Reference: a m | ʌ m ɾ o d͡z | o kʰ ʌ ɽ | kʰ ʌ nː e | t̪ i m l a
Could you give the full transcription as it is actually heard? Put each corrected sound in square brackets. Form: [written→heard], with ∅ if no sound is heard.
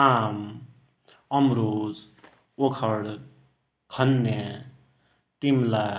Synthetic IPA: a m | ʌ m ɾ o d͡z | o kʰ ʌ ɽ | kʰ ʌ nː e | t̪ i m l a